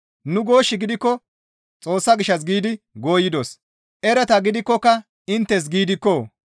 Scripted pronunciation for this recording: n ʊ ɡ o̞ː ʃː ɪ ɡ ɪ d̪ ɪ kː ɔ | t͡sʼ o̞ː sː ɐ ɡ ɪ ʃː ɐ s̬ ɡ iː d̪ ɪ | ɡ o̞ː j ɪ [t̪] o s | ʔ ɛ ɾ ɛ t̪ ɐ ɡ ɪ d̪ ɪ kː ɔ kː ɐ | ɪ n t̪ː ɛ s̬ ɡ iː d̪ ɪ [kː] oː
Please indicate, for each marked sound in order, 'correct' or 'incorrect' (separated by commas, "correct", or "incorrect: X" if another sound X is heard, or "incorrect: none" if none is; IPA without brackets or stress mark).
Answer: incorrect: d̪, correct